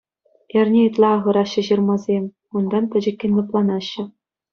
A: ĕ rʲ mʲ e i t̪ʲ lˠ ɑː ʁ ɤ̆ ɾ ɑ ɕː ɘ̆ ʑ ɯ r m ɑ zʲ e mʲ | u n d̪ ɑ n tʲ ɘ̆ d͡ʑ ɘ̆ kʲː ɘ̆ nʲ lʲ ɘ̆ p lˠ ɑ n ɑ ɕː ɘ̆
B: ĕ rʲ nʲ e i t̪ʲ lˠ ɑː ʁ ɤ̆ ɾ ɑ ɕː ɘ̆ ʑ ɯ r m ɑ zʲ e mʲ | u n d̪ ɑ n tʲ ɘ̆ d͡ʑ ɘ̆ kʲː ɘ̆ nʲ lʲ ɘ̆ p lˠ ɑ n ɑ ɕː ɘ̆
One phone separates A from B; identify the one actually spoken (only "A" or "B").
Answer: B